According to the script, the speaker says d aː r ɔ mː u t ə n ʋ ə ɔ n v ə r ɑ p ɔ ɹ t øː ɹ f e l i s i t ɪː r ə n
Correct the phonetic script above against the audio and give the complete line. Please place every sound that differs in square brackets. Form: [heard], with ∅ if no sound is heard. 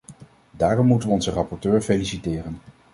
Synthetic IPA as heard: d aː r ɔ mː u t ə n ʋ ə ɔ n [z] ə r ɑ p ɔ ɹ t øː ɹ f e l i s i t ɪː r ə n